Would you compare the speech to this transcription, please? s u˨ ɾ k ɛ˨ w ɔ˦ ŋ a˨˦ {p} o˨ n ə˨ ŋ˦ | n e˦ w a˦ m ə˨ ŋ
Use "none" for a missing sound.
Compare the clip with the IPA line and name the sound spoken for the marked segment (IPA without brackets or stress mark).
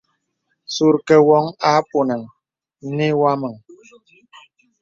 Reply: p